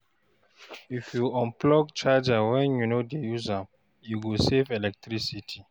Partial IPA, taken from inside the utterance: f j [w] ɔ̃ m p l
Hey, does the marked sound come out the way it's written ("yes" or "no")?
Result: no